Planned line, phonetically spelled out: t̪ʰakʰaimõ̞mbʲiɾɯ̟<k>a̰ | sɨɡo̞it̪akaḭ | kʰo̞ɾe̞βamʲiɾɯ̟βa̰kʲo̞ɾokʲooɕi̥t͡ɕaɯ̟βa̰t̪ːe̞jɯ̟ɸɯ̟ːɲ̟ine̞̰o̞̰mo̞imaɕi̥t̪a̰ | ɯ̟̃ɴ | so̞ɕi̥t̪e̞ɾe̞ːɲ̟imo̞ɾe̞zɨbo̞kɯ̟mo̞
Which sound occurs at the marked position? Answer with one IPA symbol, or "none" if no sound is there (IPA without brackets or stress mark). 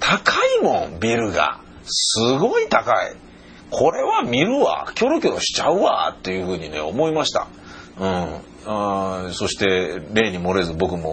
ɡ